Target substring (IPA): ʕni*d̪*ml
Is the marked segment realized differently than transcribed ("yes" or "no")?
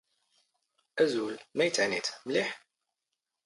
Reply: yes